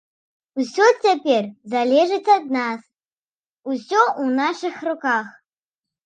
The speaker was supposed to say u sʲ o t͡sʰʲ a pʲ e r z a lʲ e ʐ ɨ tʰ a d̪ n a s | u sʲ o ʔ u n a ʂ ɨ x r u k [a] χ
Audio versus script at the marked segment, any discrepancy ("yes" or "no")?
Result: no